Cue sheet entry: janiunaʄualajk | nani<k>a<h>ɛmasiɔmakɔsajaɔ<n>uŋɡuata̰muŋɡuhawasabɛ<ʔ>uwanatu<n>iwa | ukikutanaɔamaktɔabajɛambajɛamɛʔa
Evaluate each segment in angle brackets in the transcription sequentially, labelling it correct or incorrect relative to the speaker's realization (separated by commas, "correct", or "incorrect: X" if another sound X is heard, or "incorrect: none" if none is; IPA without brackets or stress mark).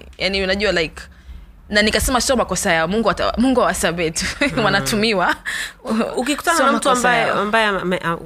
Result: correct, incorrect: s, incorrect: m, incorrect: t, incorrect: m